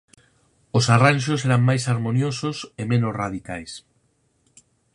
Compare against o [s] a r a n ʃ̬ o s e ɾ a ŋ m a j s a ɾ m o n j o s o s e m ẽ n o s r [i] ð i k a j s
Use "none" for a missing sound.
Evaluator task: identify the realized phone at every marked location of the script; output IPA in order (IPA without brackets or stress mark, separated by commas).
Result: s, a